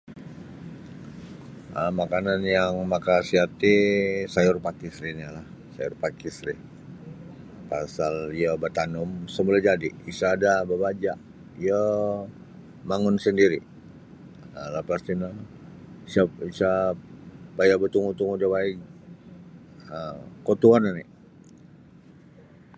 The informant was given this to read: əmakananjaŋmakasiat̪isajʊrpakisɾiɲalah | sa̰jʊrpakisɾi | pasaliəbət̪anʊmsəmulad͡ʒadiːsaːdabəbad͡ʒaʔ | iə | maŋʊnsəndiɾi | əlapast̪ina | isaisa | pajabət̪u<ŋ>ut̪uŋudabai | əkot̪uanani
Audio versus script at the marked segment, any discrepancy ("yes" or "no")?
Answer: no